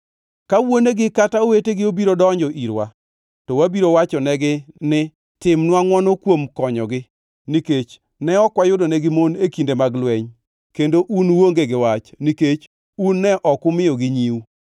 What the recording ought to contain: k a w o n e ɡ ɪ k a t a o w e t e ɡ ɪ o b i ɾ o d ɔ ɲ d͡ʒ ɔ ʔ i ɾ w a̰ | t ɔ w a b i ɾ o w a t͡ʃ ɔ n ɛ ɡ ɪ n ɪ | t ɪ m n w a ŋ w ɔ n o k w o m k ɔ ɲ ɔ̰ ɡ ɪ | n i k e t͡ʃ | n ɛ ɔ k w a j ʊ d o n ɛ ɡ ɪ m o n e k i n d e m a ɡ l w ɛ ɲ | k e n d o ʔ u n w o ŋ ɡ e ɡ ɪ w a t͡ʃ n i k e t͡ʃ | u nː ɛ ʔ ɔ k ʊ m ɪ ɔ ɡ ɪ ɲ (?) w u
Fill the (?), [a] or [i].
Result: i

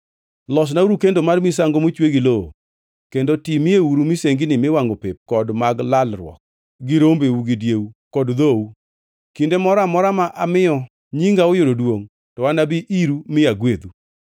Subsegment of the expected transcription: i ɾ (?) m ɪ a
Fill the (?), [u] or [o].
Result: u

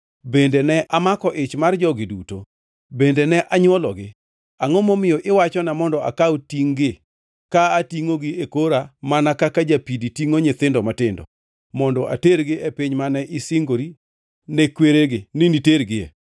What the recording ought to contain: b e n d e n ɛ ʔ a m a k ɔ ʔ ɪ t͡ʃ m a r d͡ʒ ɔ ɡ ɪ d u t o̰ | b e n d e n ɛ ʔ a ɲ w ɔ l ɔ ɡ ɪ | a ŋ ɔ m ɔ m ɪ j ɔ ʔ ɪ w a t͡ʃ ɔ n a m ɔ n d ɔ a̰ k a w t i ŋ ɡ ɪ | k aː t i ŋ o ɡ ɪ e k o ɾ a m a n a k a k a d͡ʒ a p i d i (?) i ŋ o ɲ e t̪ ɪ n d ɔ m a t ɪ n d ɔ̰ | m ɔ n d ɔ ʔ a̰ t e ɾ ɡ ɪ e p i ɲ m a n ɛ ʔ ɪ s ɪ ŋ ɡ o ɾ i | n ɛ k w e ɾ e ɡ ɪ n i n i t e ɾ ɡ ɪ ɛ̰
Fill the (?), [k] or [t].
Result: t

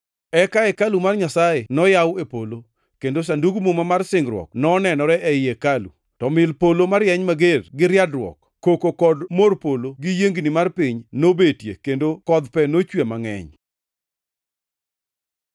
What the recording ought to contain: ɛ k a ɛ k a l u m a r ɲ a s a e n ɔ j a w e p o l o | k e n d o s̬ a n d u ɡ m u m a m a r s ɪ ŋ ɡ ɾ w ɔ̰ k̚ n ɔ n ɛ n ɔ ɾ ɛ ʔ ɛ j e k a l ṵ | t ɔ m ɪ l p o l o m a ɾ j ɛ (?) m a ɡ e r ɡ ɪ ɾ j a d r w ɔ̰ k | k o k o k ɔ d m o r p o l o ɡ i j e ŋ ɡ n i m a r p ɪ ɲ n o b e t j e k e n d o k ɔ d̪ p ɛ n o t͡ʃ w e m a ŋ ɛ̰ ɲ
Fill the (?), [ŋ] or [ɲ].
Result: ɲ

